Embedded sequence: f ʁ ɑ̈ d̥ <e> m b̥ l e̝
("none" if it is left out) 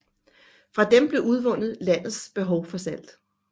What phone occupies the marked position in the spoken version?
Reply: e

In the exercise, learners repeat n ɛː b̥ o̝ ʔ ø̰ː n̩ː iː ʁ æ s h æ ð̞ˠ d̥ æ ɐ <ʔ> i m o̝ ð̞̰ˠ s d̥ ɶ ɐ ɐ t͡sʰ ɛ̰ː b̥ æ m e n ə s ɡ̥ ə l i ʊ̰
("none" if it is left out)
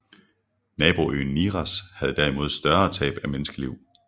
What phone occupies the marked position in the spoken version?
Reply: none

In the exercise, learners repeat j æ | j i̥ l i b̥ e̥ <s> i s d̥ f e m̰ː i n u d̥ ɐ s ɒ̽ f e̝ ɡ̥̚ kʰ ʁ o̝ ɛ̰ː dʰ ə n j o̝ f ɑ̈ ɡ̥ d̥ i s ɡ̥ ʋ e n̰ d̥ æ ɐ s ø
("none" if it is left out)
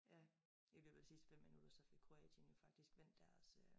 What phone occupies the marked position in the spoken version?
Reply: s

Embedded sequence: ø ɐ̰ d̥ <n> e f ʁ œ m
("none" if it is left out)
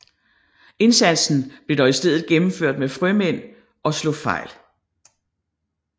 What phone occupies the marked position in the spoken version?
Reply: m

